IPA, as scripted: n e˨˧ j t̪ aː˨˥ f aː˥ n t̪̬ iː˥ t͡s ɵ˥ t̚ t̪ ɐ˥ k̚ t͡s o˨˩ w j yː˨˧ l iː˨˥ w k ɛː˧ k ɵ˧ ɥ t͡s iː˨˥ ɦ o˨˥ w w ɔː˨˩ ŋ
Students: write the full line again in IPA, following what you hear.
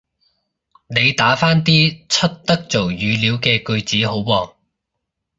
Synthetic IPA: n e˨˧ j t̪ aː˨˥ f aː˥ n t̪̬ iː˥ t͡sʰ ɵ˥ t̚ t̪ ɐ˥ k̚ t͡s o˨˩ w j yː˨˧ l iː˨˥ w k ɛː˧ k ɵ˧ ɥ t͡s iː˨˥ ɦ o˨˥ w w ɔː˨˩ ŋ